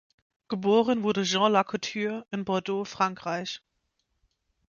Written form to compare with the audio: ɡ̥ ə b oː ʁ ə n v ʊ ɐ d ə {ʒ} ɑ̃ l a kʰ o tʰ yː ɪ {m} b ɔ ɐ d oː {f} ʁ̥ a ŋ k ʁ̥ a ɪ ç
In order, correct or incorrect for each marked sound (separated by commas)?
correct, incorrect, correct